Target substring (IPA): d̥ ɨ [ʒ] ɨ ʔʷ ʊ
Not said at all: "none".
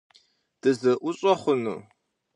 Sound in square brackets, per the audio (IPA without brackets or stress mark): z